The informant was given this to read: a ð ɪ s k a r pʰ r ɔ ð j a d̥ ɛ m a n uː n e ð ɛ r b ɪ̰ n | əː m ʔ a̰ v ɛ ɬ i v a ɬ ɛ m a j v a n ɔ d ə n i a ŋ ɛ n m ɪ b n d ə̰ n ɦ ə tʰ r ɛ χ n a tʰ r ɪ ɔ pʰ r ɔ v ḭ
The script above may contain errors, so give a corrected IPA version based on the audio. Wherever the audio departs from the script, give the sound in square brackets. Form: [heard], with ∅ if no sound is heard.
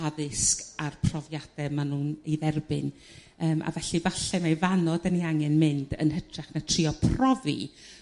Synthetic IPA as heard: a ð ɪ s k a r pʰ r ɔ [v] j a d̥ ɛ m a n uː n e ð ɛ r b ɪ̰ n | əː m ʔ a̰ v ɛ ɬ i v a ɬ ɛ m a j v a n ɔ d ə n i a ŋ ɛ n m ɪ [∅] n d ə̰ n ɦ ə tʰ r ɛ χ n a tʰ r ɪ ɔ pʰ r ɔ v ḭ